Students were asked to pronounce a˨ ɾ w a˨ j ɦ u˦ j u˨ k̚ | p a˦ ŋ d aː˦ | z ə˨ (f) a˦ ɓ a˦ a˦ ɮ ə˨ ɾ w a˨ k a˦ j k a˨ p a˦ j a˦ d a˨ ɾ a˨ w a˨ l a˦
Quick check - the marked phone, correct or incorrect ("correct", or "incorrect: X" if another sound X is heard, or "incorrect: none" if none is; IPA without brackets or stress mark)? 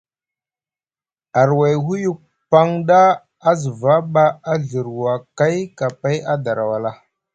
incorrect: v